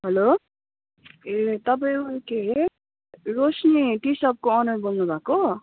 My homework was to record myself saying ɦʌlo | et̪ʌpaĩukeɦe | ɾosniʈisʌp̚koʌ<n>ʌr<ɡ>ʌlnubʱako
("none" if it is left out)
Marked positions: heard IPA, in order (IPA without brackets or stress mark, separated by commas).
n, b